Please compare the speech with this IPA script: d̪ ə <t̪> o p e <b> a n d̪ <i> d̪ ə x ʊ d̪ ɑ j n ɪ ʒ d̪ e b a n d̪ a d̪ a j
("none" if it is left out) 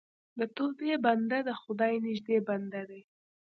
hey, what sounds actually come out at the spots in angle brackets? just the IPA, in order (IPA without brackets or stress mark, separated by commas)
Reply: t̪, b, a